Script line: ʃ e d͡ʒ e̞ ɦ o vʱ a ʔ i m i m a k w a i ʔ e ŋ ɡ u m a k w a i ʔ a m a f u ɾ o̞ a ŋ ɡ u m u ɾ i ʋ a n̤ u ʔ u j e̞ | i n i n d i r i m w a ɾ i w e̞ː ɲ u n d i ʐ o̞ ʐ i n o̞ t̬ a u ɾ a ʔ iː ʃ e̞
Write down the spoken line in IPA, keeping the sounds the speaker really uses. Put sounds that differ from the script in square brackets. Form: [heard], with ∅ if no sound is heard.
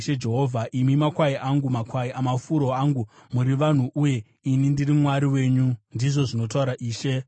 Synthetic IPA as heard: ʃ e d͡ʒ e̞ ɦ o vʱ a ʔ i m i m a k w a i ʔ [a] ŋ ɡ u m a k w a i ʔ a m a f u ɾ o̞ a ŋ ɡ u m u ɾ i ʋ a n̤ u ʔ u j e̞ | i n i n d i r i m w a ɾ i w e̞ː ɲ u n d i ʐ o̞ ʐ i n o̞ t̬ a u ɾ a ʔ iː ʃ e̞

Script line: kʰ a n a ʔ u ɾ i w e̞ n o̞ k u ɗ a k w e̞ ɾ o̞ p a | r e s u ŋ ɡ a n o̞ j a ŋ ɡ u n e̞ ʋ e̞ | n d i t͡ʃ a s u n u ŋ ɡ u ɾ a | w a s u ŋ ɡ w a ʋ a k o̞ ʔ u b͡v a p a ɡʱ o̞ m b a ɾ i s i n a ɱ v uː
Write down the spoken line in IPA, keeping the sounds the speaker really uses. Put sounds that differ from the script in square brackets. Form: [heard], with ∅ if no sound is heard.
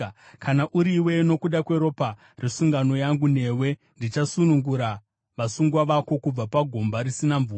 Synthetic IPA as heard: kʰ a n a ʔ u ɾ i w e̞ n o̞ k u ɗ a k w e̞ ɾ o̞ p a | r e s u ŋ ɡ a n o̞ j a ŋ ɡ u n e̞ [w] e̞ | n d i t͡ʃ a s u n u ŋ ɡ u ɾ a | [ʋ] a s u ŋ ɡ w a ʋ a k o̞ [k] u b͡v a p a ɡʱ o̞ m b a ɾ i s i n a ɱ v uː

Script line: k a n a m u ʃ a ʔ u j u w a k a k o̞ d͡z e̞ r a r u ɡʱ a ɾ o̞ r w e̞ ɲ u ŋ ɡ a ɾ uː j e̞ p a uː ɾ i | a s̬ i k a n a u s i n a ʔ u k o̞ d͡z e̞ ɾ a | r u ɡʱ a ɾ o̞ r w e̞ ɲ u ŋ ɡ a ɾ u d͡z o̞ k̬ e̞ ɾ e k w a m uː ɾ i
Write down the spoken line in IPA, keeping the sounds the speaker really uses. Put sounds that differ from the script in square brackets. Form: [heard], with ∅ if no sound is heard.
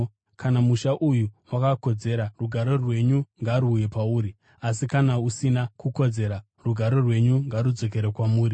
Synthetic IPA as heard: k a n a m u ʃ a ʔ u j u w a k a k o̞ d͡z e̞ [ɾ] a r u ɡʱ a ɾ o̞ r w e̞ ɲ u ŋ ɡ a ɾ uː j e̞ p a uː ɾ i | a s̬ i k a n a u s i n a [k] u k o̞ d͡z e̞ ɾ a | r u ɡʱ a ɾ o̞ r w e̞ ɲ u ŋ ɡ a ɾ u d͡z o̞ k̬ e̞ ɾ e k w a m uː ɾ i

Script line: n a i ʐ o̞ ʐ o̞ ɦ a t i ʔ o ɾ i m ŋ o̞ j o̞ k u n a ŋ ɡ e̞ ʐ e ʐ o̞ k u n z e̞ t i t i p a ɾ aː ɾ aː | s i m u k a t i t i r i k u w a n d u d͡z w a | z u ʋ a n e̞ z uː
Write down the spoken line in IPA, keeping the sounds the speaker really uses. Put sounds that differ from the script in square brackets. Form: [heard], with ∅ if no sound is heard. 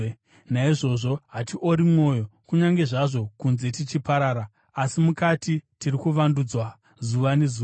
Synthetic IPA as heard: n a i ʐ o̞ ʐ o̞ ɦ a t i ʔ o ɾ i m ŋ o̞ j o̞ k u [ɲ] a ŋ ɡ e̞ ʐ [a] ʐ o̞ k u n z e̞ t i [t͡ʃ] i p a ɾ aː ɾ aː | s i m u k a t i t i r i k u [ʋ] a n d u d͡z w a | z u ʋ a n e̞ z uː

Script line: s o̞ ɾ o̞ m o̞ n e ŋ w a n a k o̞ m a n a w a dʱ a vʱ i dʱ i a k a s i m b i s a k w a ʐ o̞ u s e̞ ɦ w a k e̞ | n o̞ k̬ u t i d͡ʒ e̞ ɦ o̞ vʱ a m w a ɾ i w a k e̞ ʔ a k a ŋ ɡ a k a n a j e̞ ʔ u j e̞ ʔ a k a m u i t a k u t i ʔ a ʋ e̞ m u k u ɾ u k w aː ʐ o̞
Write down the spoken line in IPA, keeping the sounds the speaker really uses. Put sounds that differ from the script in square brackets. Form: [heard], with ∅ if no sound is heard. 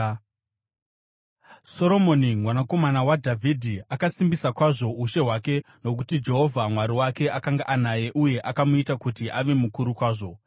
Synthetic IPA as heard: s o̞ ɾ o̞ m o̞ n [i] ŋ w a n a k o̞ m a n a w a dʱ a vʱ i dʱ i a k a s i m b i s a k w a ʐ o̞ u [ʃ] e̞ ɦ w a k e̞ | n o̞ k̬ u t i d͡ʒ e̞ ɦ o̞ vʱ a m w a ɾ i w a k e̞ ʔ a k a ŋ ɡ a [ʔ] a n a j e̞ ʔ u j e̞ ʔ a k a m u i t a k u t i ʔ a ʋ e̞ m u k u ɾ u k w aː ʐ o̞

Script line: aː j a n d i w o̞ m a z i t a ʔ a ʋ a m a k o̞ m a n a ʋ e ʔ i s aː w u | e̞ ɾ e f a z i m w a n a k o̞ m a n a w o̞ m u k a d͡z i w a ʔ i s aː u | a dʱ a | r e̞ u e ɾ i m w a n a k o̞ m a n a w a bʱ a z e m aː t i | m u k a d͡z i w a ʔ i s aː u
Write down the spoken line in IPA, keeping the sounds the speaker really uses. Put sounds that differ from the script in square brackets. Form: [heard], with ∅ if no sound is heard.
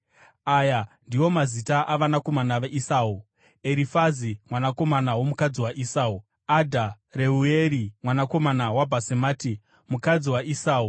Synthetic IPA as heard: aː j a n d i w o̞ m a z i t a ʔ a ʋ a [n] a k o̞ m a n a ʋ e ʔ i s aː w u | e̞ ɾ [i] f a z i m w a n a k o̞ m a n a w o̞ m u k a d͡z i w a ʔ i s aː u | a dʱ a | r e̞ u e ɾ i m w a n a k o̞ m a n a w a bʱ a [s] e m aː t i | m u k a d͡z i w a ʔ i s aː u

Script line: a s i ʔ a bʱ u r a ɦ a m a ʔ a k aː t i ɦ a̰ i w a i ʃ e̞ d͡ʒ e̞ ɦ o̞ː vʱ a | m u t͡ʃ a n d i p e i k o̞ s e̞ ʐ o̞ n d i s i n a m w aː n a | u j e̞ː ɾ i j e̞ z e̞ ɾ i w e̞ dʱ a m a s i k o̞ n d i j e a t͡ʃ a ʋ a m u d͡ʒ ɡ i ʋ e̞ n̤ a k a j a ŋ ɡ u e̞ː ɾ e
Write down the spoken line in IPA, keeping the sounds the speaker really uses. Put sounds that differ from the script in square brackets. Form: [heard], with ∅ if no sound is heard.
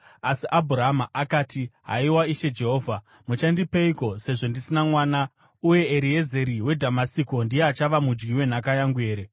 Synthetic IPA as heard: a s i ʔ a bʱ u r a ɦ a m a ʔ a k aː t i ɦ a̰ i w a i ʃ e̞ d͡ʒ e̞ ɦ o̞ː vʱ a | m u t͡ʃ a n d i p e i k o̞ s e̞ ʐ o̞ n d i s i n a m w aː n a | u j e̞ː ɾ i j e̞ z e̞ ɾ i w e̞ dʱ a m a s i k o̞ n d i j e a t͡ʃ a ʋ a m u d͡ʒ ɡ i [w] e̞ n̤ a k a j a ŋ ɡ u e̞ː ɾ e

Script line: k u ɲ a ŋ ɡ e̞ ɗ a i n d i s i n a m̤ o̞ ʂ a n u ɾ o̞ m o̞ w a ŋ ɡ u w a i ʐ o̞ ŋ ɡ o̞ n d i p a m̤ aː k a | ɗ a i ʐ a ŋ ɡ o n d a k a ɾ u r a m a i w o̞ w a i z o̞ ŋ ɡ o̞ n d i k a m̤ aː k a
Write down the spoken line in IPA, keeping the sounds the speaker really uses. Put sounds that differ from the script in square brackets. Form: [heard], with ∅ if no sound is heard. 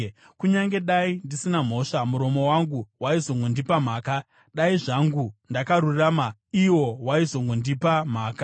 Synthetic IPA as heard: k u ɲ a ŋ ɡ e̞ ɗ a i n d i s i n a m̤ o̞ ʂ a [m] u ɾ o̞ m o̞ w a ŋ ɡ u w a i [z] o̞ ŋ ɡ o̞ n d i p a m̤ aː k a | ɗ a i ʐ a ŋ ɡ [u] n d a k a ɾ u r a m a i w o̞ w a i z o̞ ŋ ɡ o̞ n d i [p] a m̤ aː k a

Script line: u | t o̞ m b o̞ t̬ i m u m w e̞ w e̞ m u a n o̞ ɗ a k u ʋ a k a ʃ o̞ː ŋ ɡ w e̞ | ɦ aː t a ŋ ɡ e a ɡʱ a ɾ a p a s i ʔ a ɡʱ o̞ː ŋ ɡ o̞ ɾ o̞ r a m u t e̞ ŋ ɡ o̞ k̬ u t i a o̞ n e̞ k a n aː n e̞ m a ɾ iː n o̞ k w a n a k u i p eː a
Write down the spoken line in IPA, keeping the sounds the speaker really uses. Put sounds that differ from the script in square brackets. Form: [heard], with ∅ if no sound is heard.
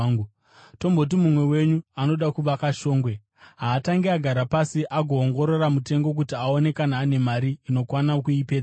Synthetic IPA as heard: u | t o̞ m b o̞ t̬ i m u m w e̞ w e̞ [ɲ] u a n o̞ ɗ a k u ʋ a k a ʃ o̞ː ŋ ɡ w e̞ | ɦ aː t a ŋ ɡ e a ɡʱ a ɾ a p a s i ʔ a ɡʱ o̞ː ŋ ɡ o̞ ɾ o̞ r a m u t e̞ ŋ ɡ o̞ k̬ u t i a o̞ n e̞ k a n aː n e̞ m a ɾ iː n o̞ k w a n a k u i p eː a

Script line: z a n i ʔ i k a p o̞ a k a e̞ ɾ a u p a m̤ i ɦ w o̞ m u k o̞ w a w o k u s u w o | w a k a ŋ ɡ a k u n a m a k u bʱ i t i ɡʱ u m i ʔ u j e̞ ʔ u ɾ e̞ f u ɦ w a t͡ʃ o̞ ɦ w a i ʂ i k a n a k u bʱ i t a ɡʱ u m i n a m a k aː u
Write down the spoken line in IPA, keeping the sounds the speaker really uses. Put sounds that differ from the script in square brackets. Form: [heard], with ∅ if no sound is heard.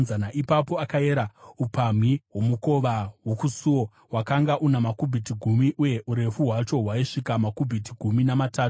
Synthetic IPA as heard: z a n [a] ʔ i [p] a p o̞ a k a e̞ ɾ a u p a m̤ i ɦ w o̞ m u k o̞ [ʋ] a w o k u s u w o | w a k a ŋ ɡ a [ʔ] u n a m a k u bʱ i t i ɡʱ u m i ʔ u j e̞ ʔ u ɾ e̞ f u ɦ w a t͡ʃ o̞ ɦ w a i ʂ i k a [m] a k u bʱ i t [i] ɡʱ u m i n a m a [t] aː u

